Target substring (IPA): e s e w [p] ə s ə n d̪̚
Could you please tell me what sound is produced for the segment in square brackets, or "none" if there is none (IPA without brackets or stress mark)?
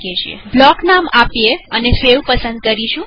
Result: p